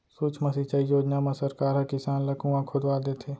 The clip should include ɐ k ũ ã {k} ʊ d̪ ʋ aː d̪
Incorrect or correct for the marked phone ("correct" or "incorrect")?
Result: incorrect